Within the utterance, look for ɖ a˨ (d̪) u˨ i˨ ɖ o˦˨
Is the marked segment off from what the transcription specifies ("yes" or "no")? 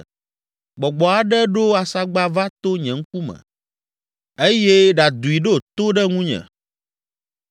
no